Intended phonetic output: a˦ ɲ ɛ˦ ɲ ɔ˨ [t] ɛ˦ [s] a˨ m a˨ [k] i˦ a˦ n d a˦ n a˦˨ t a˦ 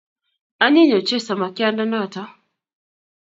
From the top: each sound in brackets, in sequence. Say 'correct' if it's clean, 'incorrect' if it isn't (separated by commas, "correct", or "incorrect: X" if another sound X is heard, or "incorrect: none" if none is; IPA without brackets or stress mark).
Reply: incorrect: t͡ʃ, correct, correct